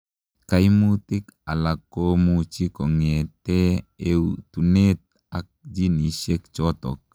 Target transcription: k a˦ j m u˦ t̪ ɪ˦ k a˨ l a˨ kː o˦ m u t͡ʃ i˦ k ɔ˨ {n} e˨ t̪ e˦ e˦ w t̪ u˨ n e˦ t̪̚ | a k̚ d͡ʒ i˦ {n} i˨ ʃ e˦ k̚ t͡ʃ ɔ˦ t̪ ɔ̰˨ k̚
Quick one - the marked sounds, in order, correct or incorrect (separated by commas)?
incorrect, correct